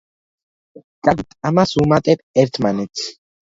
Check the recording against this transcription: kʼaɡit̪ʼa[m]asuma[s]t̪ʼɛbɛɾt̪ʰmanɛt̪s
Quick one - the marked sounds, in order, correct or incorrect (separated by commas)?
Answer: correct, incorrect